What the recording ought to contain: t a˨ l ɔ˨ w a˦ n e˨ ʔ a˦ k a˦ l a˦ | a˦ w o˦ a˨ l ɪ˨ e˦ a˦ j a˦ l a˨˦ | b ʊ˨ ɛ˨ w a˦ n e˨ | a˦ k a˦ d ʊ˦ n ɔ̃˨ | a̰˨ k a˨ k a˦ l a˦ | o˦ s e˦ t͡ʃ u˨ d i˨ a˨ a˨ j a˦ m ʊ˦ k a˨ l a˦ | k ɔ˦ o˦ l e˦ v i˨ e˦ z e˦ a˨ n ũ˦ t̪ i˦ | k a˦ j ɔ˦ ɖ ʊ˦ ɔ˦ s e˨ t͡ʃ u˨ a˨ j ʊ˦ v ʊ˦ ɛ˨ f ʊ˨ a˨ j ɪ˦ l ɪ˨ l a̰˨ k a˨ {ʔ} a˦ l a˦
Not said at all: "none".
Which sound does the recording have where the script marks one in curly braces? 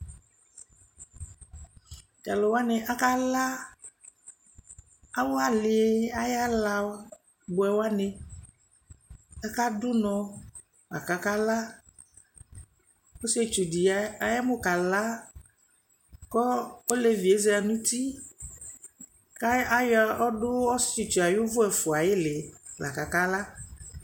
k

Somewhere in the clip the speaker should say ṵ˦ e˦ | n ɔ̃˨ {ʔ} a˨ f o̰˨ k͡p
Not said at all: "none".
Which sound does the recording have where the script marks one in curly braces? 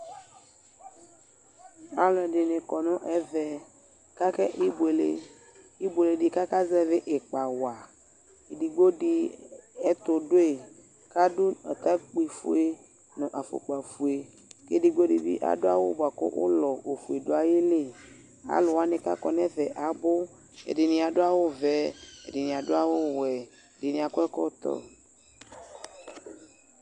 ʔ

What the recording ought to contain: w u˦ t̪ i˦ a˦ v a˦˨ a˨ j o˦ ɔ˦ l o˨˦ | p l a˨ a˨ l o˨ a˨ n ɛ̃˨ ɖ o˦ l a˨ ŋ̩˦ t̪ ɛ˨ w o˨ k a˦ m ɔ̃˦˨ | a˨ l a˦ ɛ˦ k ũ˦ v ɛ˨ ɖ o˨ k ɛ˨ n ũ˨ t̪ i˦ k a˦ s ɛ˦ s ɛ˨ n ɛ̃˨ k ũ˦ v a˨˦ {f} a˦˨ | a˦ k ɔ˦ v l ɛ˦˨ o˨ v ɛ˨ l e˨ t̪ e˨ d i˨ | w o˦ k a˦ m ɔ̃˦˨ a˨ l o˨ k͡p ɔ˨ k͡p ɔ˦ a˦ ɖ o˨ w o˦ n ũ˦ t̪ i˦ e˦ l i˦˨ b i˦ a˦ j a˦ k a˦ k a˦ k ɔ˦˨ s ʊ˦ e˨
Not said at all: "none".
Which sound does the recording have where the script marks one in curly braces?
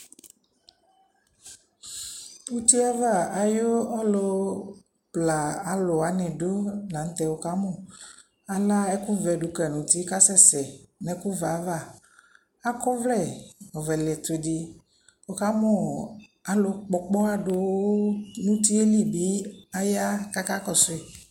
v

